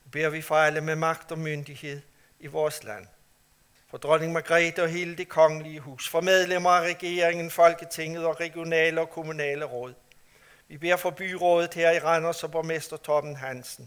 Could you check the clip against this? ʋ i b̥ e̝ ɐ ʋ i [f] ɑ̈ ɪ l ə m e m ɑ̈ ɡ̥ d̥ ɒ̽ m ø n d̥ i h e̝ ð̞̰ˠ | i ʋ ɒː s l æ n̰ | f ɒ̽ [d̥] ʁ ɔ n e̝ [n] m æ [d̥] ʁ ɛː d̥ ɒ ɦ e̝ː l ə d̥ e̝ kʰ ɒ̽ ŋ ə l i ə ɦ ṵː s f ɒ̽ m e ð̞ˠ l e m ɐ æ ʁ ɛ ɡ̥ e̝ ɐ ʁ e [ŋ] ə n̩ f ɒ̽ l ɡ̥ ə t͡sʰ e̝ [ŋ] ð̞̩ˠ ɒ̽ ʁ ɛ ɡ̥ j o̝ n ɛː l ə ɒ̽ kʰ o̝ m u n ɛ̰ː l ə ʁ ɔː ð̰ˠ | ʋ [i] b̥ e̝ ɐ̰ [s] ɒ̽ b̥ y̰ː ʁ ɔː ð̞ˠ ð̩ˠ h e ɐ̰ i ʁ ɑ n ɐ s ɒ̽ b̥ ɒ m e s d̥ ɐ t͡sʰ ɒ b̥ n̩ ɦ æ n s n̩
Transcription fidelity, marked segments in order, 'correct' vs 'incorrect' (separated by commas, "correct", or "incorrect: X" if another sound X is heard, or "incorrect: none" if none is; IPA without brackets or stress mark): correct, correct, incorrect: ŋ, incorrect: ɡ̥, correct, correct, correct, incorrect: f